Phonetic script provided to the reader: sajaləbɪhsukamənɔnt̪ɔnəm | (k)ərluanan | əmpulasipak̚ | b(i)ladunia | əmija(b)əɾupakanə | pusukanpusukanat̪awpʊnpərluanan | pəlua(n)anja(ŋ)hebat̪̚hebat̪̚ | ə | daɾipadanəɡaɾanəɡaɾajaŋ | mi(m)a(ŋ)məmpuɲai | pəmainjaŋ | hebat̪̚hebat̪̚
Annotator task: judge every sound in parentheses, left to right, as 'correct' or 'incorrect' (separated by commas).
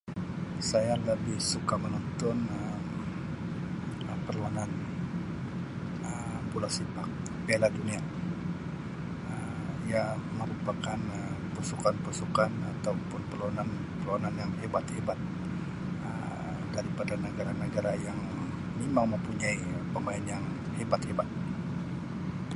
incorrect, incorrect, incorrect, correct, correct, correct, correct